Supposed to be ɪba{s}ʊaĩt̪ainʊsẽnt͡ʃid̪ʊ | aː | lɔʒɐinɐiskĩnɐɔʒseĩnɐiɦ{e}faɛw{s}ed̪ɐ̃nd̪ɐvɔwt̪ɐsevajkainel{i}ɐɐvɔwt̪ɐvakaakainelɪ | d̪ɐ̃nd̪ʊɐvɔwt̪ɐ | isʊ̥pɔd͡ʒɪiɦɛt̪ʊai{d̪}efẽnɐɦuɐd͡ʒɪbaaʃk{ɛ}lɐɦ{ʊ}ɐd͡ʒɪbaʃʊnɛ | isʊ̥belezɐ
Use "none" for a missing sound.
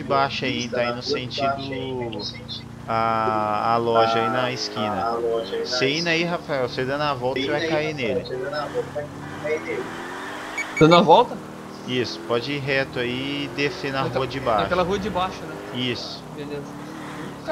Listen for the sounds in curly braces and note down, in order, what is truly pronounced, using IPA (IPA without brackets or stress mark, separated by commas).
ʃ, a, s, ɪ, d̪, ɛ, u